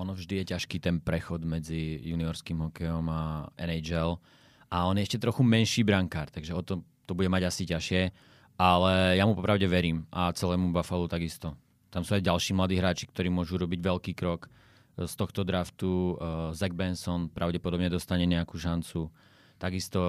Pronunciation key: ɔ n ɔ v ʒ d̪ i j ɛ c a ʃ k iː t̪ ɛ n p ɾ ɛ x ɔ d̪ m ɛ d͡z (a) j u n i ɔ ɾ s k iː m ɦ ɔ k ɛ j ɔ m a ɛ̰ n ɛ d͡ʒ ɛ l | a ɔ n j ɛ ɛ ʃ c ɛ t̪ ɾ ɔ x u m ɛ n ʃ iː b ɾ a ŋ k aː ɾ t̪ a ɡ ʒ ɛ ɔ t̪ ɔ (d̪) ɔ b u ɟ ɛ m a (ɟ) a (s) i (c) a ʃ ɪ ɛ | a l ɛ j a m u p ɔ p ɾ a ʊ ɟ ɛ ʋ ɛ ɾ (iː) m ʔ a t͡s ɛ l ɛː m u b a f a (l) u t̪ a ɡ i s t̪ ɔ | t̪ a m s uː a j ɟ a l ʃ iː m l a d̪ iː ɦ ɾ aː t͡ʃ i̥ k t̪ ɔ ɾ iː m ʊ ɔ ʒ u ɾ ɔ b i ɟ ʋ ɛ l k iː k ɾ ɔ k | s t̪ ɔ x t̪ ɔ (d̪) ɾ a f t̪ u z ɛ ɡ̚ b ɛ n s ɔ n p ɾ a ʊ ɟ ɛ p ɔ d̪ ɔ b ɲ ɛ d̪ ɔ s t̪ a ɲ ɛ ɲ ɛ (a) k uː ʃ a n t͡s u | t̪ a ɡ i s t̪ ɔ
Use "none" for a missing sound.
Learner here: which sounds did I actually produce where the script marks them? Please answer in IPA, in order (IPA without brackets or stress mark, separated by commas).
i, t̪, ɟ, s, c, iː, l, d̪, a